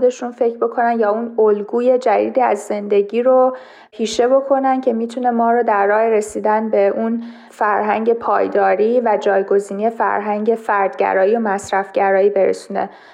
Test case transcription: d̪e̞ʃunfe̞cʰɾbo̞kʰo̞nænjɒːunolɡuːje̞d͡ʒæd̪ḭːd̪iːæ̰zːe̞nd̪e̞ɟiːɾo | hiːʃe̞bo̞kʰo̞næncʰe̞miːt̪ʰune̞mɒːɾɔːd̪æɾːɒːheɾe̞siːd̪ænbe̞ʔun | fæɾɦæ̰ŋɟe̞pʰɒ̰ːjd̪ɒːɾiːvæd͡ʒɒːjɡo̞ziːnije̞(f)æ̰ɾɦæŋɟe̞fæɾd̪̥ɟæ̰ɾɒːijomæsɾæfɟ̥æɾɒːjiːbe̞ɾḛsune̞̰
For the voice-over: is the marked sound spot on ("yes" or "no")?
yes